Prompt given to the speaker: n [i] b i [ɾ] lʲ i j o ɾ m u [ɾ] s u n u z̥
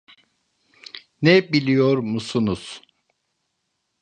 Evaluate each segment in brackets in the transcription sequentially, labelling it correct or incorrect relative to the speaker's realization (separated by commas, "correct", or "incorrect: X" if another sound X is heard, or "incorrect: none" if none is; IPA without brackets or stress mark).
incorrect: ɛ, incorrect: none, incorrect: none